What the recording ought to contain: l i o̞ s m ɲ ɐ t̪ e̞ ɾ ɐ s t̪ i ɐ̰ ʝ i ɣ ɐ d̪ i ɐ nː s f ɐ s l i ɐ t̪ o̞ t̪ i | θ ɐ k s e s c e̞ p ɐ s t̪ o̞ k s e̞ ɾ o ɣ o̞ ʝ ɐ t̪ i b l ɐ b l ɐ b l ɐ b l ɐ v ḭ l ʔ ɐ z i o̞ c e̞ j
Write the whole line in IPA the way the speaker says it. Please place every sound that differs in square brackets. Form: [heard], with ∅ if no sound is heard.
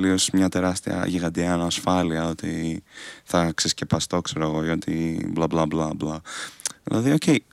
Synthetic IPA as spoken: l i o̞ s m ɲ ɐ t̪ e̞ ɾ ɐ s t̪ i ɐ̰ ʝ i ɣ ɐ d̪ i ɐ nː s f ɐ [∅] l i ɐ [∅] o̞ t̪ i | θ ɐ k s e s c e̞ p ɐ s t̪ o̞ k s e̞ ɾ o ɣ o̞ ʝ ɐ t̪ i b l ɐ b l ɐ b l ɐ b l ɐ [ð] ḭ l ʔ ɐ [ð] i o̞ c e̞ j